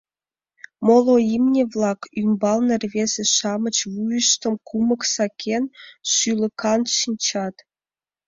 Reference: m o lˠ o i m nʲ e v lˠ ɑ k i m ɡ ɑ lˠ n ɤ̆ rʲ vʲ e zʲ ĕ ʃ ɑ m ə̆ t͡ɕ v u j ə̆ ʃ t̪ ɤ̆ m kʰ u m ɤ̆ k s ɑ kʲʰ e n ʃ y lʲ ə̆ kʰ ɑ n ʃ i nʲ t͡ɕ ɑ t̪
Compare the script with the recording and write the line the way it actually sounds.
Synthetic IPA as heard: m o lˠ o i m nʲ e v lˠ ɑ k y m b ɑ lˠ n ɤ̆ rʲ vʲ e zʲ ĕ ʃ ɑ m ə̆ t͡ɕ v u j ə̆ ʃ t̪ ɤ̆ m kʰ u m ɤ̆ k s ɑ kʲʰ e n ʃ y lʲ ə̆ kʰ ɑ n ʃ i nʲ t͡ɕ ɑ t̪